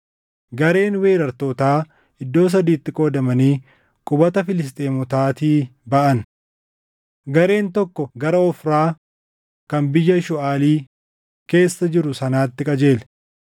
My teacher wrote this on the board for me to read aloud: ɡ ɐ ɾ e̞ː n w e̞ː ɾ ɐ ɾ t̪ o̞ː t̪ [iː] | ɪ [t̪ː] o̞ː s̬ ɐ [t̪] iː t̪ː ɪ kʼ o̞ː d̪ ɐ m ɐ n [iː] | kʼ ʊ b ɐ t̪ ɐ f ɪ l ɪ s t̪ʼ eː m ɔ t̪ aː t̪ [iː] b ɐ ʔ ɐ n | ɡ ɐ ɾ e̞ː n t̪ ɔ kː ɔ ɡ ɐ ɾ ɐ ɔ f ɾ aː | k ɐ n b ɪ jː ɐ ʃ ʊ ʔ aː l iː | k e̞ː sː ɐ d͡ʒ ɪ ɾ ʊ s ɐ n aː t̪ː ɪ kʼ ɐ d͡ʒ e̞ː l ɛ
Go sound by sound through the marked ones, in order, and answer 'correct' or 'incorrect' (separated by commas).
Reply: incorrect, incorrect, incorrect, correct, correct